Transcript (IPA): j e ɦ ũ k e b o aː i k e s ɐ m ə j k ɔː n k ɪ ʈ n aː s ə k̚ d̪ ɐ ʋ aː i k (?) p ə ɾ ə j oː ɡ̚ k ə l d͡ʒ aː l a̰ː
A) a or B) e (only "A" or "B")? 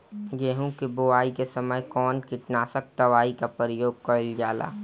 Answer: A